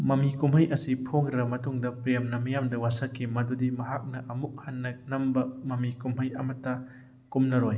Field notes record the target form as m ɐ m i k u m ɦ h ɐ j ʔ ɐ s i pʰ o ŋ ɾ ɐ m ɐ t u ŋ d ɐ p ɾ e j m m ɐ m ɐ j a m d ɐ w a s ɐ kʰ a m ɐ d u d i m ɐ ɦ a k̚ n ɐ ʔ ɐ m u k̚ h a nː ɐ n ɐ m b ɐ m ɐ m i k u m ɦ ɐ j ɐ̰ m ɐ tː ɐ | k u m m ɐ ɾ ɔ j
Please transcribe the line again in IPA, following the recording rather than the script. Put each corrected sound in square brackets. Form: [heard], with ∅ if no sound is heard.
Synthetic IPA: m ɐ m i k u m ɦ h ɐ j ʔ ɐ s i pʰ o ŋ ɾ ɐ m ɐ t u ŋ d ɐ p ɾ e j m [n] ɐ m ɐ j a m d ɐ w a s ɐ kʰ [i] m ɐ d u d i m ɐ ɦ a k̚ n ɐ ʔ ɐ m u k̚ h a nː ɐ n ɐ m b ɐ m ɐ m i k u m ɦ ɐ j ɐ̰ m ɐ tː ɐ | k u m [n] ɐ ɾ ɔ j